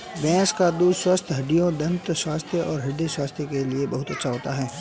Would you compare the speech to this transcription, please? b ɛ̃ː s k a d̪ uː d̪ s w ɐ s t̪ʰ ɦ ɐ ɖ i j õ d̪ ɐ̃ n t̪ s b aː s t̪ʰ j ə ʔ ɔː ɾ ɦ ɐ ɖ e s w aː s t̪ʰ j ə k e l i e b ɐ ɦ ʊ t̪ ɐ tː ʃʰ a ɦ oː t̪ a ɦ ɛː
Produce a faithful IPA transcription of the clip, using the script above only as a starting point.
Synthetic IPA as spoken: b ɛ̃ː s k a d̪ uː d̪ s w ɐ s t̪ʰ ɦ ɐ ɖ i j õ d̪ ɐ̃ n t̪ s w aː s t̪ʰ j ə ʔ ɔː ɾ ɦ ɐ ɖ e s w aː s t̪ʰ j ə k e l i e b ɐ ɦ ʊ t̪ ɐ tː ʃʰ a ɦ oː t̪ a ɦ ɛː